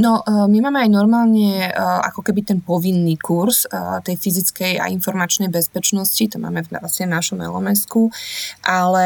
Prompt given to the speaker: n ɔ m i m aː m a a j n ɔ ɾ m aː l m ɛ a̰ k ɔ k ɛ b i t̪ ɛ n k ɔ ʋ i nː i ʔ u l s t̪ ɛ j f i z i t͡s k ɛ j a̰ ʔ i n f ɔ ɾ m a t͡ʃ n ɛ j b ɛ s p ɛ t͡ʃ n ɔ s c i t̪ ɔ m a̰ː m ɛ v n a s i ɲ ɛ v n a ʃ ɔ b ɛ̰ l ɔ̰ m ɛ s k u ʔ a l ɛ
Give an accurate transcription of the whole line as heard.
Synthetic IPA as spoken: n ɔ m i m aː m ɛ a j n ɔ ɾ m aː l ɲ ɛ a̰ k ɔ k ɛ b i t̪ ɛ n p ɔ ʋ i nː i k u ɾ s t̪ ɛ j f i z i t͡s k ɛ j a̰ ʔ i n f ɔ ɾ m a t͡ʃ n ɛ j b ɛ s p ɛ t͡ʃ n ɔ s c i t̪ ɔ m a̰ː m ɛ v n a s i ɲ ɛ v n a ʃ ɔ m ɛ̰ l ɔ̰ m ɛ s k u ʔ a l ɛ